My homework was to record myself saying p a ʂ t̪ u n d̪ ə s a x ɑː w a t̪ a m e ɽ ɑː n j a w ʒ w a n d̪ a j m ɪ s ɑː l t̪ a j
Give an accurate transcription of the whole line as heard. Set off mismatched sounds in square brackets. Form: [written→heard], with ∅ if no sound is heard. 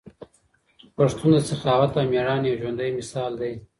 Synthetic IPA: p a ʂ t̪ u n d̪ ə s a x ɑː w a t̪ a m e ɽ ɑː n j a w ʒ w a n d̪ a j m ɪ s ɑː l [t̪→d̪] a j